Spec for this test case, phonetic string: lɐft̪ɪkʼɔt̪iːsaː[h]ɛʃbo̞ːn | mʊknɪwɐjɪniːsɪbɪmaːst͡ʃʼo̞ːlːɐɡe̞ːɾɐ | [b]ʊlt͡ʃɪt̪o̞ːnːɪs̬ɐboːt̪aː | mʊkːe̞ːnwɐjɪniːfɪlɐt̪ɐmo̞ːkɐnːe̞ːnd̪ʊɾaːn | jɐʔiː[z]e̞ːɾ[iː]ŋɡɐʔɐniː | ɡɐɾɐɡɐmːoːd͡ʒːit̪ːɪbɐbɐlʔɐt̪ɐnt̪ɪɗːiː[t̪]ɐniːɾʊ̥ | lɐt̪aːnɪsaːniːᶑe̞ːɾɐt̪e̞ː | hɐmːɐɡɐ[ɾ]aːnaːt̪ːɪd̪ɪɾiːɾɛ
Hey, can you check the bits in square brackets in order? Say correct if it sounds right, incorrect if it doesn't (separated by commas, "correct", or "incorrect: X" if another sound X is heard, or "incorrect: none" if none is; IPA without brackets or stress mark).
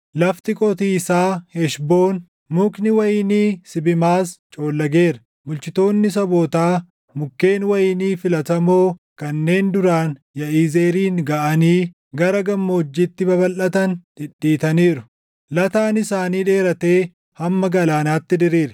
correct, incorrect: m, correct, correct, correct, incorrect: l